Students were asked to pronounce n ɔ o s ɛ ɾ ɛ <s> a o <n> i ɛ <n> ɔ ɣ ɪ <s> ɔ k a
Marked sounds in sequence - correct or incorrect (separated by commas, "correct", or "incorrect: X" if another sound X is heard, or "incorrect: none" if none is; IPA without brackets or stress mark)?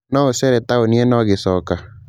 incorrect: t, correct, correct, correct